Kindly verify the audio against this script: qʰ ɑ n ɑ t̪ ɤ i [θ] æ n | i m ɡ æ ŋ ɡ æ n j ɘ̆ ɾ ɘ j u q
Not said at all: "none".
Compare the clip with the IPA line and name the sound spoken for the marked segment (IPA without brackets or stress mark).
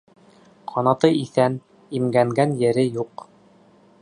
θ